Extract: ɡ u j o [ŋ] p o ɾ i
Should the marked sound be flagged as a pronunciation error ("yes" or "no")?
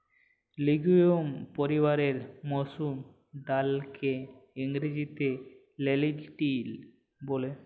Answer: yes